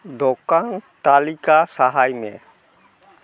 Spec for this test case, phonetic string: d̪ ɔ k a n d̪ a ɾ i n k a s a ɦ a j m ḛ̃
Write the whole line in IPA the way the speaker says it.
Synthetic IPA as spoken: d̪ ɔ k a n t̪ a l i k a s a ɦ a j m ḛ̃

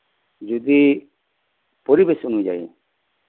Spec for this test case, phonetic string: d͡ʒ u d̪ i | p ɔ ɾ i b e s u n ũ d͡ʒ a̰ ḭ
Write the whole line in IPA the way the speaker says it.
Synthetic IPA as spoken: d͡ʒ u d̪ i | p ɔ ɾ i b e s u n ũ d͡ʒ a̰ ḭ

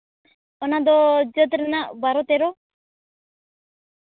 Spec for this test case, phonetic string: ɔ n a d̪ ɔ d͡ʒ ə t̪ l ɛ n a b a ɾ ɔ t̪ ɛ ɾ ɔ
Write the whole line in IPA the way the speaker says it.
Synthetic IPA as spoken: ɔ n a d̪ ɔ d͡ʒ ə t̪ ɾ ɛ n a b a ɾ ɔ t̪ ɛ ɾ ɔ

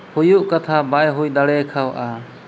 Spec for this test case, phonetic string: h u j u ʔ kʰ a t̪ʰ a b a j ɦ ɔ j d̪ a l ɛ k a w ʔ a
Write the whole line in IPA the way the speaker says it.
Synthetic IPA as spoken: h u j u ʔ k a t̪ʰ a b a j ɦ u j d̪ a ɽ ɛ kʰ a w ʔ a

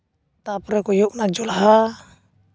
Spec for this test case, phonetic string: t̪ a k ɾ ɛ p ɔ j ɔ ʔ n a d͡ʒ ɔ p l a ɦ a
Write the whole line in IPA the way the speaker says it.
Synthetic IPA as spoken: t̪ a p ɾ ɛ k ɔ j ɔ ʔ n a d͡ʒ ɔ l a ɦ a

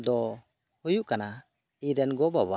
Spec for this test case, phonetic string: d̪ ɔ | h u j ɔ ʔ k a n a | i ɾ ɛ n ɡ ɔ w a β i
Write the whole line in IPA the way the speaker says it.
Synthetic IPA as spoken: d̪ ɔ | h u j u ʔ k a n a | i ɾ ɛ n ɡ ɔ b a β a

